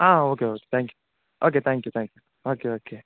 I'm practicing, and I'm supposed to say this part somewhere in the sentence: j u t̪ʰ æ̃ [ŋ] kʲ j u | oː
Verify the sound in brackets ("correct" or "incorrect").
correct